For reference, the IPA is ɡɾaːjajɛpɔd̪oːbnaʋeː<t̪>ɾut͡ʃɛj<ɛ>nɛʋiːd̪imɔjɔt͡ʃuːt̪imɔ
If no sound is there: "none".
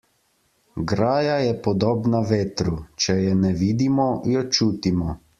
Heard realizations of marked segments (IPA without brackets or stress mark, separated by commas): t̪, ɛ